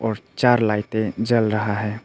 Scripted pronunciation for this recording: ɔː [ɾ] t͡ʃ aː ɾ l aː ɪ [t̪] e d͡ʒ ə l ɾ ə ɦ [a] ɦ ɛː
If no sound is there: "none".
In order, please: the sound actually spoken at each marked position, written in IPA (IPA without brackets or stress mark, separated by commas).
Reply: ɾ, t̪, a